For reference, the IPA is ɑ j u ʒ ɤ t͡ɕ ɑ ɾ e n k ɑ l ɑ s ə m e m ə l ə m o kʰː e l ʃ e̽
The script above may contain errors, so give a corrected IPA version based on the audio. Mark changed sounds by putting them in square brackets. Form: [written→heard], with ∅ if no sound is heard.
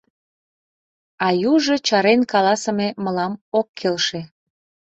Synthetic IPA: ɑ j u ʒ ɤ t͡ɕ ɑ ɾ e n k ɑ l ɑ s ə m e m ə l [ə→ɑ] m o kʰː e l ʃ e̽